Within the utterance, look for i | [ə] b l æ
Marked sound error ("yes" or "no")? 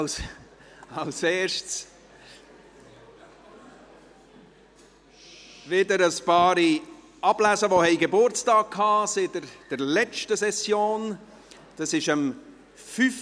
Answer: yes